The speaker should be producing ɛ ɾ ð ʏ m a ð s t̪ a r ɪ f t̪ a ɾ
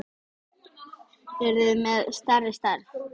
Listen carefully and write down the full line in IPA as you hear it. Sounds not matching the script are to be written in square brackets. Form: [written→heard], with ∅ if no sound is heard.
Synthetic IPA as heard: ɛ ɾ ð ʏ m [a→ɛ] ð s t̪ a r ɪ [f→s] t̪ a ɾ